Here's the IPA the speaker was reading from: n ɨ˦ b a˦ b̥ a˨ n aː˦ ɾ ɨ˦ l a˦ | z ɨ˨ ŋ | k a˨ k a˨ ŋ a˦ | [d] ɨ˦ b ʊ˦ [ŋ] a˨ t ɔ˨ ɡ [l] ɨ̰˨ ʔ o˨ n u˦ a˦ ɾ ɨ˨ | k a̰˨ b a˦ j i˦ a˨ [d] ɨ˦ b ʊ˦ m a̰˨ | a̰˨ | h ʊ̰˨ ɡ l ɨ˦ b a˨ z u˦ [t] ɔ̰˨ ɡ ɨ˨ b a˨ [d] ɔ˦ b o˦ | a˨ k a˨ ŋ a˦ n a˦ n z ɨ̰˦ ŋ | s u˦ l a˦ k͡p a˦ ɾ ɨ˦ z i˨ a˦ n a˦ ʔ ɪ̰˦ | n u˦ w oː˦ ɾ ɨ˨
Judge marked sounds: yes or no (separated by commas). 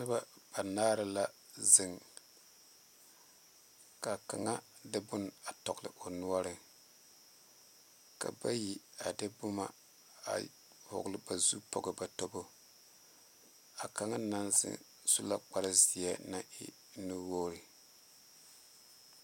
yes, no, yes, yes, no, no